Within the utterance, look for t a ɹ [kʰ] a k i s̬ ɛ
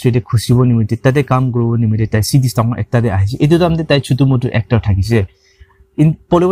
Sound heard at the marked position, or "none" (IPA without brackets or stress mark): tʰ